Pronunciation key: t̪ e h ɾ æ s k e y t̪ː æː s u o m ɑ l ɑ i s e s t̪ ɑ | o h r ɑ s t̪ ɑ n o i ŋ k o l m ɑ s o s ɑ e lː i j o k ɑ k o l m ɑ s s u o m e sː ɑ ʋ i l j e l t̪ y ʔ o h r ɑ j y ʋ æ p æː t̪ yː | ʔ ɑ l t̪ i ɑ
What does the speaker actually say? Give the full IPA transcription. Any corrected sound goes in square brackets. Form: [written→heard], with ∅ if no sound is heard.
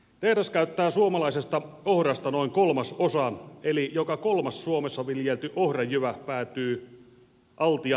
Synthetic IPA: t̪ e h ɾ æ s k [e→æ] y t̪ː æː s u o m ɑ l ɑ i s e s t̪ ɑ | o h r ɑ s t̪ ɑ n o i ŋ k o l m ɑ s o s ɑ e [lː→l] i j o k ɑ k o l m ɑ s s u o m e sː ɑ ʋ i l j e l t̪ y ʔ o h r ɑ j y ʋ æ p æː t̪ yː | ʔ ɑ l t̪ i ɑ